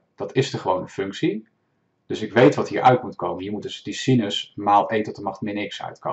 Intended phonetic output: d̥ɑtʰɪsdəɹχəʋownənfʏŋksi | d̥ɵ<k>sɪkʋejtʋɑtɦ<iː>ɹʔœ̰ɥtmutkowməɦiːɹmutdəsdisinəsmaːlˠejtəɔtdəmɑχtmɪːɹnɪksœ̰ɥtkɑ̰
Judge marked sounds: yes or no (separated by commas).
no, yes